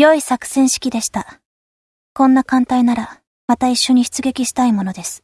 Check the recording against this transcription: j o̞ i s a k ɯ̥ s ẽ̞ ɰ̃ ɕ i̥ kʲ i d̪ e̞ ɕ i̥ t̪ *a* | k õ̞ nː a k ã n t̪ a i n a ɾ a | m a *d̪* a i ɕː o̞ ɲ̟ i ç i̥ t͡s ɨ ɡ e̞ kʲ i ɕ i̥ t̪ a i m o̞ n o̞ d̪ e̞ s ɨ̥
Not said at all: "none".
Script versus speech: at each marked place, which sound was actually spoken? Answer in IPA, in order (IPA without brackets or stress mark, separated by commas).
a, t̪